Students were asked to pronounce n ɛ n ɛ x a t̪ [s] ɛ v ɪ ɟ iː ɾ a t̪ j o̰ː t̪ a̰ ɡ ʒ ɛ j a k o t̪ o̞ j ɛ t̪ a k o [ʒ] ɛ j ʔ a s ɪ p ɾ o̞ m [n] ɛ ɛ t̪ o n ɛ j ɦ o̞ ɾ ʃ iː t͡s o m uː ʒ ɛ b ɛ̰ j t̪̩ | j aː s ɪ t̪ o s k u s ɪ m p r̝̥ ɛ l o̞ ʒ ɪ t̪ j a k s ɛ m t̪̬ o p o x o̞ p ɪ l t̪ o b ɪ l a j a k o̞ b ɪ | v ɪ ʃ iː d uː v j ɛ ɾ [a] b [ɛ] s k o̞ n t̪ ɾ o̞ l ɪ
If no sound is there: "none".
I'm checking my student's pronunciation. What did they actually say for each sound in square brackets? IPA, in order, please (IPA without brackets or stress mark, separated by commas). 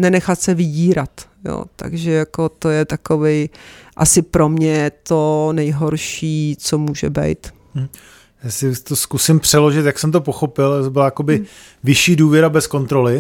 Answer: s, v, ɲ, a, ɛ